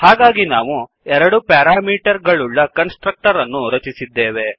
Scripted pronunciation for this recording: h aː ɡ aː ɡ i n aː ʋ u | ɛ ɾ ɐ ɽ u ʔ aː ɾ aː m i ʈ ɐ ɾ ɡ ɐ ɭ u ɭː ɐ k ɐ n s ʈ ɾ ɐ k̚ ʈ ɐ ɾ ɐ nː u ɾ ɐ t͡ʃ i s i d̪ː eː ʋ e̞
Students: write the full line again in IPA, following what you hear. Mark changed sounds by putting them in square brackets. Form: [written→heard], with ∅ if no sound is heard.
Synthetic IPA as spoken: h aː ɡ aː ɡ i n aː ʋ u | ɛ ɾ ɐ ɽ u [ʔ→p] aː ɾ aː m [i→iː] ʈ ɐ ɾ ɡ ɐ ɭ u ɭː ɐ k ɐ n s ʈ ɾ ɐ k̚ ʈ ɐ ɾ ɐ nː u ɾ ɐ t͡ʃ i s i d̪ː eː ʋ e̞